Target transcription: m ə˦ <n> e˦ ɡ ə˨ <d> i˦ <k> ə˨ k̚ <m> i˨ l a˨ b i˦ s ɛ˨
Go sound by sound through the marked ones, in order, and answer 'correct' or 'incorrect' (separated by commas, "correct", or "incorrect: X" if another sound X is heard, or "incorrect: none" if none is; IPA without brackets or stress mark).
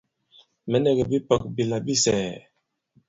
correct, incorrect: b, incorrect: p, incorrect: b